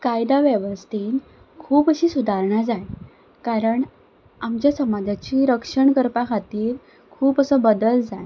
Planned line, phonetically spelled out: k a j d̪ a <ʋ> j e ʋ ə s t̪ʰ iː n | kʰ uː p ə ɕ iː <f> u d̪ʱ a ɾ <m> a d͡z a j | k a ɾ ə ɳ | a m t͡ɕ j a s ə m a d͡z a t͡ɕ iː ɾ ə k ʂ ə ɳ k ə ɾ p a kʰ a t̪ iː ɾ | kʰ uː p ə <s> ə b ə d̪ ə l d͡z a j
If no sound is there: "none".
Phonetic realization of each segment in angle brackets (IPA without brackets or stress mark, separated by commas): ʋ, s, ɳ, s